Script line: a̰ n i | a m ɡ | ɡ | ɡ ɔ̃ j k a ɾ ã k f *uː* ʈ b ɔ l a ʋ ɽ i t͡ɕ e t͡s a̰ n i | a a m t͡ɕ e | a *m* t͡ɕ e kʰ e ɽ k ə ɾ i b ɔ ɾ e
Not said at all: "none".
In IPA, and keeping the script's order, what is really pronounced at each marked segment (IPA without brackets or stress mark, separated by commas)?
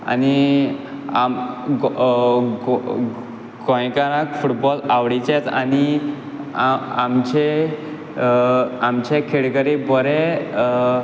u, m